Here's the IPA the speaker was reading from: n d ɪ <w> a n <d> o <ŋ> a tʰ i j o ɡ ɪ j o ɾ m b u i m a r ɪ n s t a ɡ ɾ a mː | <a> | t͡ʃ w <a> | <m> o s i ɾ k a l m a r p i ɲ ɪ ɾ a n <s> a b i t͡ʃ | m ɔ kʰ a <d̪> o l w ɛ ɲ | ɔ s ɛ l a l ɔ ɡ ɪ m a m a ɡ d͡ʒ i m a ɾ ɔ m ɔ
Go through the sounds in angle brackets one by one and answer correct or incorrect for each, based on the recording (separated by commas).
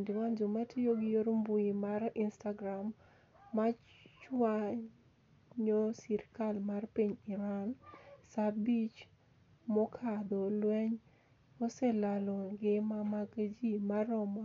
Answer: correct, incorrect, incorrect, correct, correct, incorrect, correct, correct